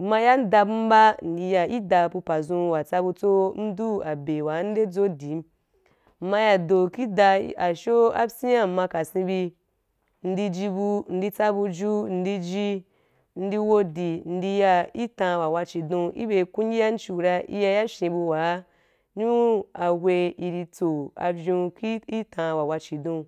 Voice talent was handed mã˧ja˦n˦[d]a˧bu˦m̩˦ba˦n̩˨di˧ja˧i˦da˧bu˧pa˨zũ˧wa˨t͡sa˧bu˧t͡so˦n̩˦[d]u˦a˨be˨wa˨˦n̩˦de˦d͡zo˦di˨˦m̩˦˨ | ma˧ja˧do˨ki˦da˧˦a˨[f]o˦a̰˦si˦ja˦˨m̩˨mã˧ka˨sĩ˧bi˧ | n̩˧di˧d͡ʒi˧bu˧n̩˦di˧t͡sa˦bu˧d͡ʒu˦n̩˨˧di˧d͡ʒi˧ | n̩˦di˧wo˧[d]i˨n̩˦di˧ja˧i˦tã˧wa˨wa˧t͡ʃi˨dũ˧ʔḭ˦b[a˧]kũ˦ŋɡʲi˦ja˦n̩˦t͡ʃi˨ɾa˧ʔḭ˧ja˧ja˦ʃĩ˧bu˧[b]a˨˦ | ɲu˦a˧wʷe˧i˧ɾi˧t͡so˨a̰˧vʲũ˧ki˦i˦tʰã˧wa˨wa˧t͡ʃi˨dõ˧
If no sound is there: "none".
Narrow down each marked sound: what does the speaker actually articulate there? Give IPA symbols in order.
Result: d, d, ʃ, d, e˧, w

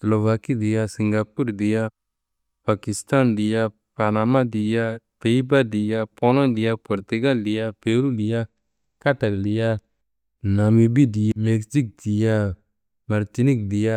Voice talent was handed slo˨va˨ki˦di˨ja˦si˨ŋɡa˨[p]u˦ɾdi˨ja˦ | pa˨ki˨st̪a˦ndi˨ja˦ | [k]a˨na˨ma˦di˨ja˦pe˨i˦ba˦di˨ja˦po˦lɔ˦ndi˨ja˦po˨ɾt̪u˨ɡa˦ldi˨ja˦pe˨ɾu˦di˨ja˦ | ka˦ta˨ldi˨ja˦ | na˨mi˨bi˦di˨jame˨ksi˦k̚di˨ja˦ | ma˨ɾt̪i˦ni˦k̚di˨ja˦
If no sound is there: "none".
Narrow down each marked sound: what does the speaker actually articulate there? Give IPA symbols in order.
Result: p, p

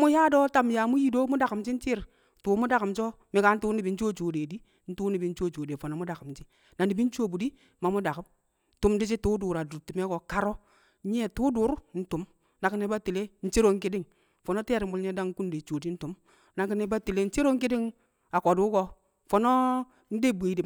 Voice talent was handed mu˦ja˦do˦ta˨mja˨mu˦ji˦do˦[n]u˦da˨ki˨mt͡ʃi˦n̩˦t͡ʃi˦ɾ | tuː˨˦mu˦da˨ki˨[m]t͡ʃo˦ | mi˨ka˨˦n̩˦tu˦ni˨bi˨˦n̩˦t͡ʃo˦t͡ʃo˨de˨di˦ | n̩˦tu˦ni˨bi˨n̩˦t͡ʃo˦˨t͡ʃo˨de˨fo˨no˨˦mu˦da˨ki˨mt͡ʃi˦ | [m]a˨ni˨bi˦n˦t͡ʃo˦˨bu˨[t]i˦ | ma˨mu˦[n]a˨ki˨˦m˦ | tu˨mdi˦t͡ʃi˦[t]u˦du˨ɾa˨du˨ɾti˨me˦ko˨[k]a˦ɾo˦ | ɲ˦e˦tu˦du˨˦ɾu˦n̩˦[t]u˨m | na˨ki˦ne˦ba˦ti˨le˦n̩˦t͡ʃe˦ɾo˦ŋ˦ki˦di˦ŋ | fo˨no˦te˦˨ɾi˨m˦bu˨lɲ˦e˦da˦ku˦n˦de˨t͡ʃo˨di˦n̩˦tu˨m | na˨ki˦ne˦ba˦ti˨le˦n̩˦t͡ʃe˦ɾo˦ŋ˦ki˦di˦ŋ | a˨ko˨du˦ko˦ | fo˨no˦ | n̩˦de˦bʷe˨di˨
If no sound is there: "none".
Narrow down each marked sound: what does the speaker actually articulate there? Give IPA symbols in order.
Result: m, m, n, d, d, t, k, t

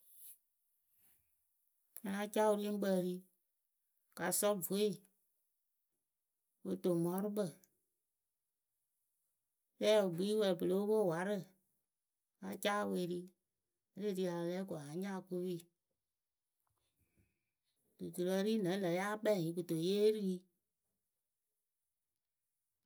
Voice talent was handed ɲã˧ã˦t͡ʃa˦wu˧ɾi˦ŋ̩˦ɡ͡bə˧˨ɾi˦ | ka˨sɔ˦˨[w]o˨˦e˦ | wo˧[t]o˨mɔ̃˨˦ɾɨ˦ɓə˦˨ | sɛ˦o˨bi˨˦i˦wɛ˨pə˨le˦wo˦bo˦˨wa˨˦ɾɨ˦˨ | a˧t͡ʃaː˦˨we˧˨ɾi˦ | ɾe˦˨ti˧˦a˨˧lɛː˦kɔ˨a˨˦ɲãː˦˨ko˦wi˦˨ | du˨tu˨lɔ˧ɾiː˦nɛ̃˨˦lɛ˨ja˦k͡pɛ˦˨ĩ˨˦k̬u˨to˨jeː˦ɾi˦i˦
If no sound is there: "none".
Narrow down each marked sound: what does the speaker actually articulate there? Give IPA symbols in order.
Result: v, t

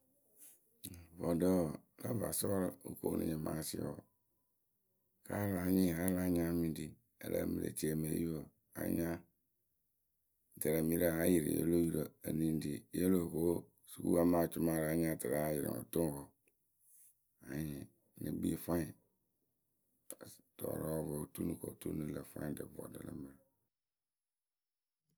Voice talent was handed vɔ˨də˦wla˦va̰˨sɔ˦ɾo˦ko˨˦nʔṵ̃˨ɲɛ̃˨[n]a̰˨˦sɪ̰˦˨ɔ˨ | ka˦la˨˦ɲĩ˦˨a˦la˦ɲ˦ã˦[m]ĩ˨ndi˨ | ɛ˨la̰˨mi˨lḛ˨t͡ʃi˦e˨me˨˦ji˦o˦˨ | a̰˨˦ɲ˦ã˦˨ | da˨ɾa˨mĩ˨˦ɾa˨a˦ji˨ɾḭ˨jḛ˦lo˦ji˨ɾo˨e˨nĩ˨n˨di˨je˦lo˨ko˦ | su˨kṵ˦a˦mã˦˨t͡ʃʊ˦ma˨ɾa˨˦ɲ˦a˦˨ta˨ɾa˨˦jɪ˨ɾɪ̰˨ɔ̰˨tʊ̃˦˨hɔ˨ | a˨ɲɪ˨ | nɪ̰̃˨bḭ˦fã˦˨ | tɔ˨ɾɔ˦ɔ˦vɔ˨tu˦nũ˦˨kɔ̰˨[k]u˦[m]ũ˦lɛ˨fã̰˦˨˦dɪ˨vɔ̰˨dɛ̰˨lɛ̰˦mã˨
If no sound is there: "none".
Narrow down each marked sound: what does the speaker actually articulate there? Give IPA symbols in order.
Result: m, m, t, n

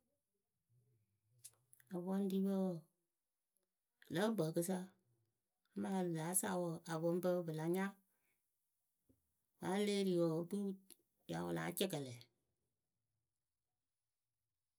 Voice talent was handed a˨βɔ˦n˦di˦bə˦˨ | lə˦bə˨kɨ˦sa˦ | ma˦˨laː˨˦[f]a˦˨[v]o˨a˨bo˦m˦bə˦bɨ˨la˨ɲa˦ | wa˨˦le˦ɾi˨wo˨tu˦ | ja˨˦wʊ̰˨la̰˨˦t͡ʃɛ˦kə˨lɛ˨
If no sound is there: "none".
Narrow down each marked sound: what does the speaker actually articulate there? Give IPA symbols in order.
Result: s, w

